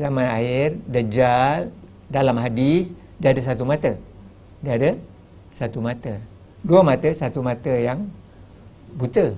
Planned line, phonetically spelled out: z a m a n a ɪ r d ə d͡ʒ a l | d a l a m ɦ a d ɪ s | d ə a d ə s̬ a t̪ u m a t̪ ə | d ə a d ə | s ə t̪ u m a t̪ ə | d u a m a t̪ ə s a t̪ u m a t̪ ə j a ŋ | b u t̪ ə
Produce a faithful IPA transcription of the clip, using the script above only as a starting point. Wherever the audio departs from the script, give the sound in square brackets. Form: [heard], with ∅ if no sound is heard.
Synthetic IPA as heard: z a m a n a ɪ r d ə d͡ʒ a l | d a l a m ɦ a d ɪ s | d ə a d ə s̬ a t̪ u m a t̪ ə | d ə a d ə | s [a] t̪ u m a t̪ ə | d u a m a t̪ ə s a t̪ u m a t̪ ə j a ŋ | b u t̪ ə